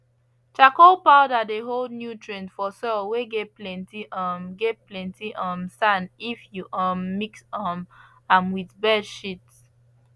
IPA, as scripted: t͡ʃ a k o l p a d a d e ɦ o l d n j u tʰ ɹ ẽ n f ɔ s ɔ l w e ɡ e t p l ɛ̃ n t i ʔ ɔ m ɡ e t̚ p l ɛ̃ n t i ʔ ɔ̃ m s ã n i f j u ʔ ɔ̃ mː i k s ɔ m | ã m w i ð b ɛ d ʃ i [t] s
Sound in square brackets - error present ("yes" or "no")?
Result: no